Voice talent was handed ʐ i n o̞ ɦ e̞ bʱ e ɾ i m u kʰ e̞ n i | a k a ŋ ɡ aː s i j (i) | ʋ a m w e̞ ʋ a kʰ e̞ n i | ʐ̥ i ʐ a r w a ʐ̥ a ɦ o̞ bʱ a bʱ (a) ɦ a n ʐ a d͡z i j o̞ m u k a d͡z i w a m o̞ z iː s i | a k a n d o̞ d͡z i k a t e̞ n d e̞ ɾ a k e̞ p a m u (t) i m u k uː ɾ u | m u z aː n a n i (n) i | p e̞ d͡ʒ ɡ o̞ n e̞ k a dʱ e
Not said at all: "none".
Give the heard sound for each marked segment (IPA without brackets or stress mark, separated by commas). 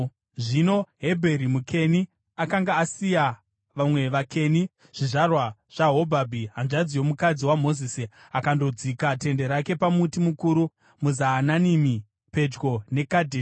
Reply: a, i, t, m